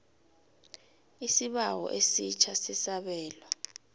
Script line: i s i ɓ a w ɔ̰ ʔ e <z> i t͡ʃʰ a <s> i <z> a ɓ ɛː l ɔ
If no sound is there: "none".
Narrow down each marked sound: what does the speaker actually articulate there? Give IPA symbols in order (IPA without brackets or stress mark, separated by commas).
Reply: s, s, s